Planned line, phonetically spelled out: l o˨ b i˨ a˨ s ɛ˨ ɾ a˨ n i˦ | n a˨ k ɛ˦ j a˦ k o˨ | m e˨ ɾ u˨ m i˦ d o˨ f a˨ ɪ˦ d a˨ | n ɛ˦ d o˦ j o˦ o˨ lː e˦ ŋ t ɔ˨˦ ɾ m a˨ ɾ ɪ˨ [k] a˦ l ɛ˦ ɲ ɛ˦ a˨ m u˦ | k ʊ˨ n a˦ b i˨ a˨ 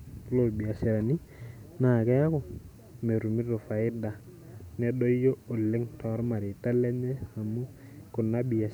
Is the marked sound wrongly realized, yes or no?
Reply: yes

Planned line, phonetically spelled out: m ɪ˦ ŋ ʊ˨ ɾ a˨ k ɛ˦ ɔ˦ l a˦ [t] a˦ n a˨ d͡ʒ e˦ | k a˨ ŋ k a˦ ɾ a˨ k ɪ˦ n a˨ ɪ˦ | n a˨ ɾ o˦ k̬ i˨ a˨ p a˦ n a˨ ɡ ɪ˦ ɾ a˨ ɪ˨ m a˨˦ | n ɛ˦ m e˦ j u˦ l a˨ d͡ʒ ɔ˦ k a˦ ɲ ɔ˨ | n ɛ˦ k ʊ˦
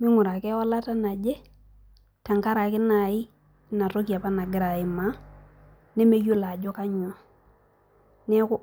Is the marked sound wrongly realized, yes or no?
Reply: no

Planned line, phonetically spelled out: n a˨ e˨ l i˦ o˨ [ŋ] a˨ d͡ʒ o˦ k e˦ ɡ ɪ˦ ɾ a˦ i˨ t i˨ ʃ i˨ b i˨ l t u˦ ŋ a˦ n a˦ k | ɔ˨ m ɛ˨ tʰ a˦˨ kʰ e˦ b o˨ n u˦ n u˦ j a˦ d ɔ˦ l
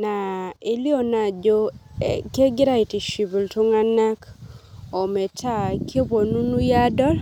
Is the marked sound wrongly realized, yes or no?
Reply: yes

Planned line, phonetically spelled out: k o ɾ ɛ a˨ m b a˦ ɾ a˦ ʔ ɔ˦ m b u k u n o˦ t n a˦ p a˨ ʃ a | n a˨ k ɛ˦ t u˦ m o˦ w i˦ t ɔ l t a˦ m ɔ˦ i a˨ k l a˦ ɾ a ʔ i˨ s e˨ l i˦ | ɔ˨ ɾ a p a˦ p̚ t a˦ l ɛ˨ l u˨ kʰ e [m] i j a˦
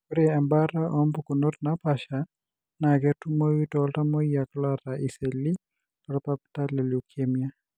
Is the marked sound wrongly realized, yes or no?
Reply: no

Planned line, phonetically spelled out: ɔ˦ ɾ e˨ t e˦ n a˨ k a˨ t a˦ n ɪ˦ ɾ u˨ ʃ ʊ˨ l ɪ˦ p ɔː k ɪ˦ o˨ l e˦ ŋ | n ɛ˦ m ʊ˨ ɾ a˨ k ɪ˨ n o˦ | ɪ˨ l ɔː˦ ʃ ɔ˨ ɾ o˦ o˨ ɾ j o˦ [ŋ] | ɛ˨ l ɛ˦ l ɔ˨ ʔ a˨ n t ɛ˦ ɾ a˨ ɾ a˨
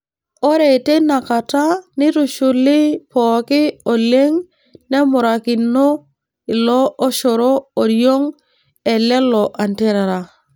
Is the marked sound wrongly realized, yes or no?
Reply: no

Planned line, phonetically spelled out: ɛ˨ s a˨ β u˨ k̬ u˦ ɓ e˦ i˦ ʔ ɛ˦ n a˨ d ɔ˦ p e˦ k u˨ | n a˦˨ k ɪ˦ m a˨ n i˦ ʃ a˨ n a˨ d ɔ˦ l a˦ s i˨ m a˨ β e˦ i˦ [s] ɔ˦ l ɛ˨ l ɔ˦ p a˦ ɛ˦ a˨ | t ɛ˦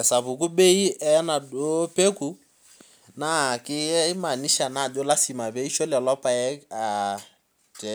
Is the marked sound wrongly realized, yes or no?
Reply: yes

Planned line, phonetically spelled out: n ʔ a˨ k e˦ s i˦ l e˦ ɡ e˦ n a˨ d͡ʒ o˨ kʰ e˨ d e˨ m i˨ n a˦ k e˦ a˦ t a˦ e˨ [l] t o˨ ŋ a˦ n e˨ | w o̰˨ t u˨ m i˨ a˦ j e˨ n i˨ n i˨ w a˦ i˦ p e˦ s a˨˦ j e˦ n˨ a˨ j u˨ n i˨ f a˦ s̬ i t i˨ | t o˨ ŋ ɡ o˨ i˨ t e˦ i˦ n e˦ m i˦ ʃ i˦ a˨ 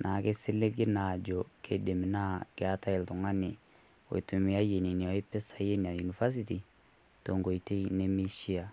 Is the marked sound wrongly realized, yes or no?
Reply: no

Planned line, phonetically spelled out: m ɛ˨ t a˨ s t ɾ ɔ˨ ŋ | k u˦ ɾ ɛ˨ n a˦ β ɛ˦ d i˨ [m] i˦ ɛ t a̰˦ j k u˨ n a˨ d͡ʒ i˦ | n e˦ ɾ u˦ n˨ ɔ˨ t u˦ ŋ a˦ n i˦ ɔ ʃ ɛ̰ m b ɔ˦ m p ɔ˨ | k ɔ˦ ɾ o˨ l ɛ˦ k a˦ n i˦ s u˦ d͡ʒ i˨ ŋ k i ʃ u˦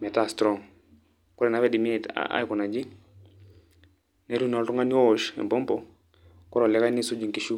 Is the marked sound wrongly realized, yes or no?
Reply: no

